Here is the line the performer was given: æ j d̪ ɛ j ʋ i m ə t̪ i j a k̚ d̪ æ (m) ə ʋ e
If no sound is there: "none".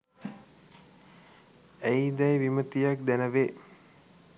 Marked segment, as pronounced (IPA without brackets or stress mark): n